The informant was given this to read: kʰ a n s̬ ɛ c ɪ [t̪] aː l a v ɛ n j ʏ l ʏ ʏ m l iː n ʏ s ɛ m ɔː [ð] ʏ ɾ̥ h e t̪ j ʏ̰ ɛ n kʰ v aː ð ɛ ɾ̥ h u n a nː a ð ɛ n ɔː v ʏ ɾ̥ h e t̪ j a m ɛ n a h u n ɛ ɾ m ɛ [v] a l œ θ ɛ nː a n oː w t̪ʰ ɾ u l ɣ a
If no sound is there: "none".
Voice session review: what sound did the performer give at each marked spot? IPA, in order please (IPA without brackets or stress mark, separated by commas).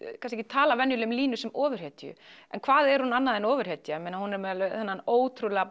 t̪ʰ, v, ð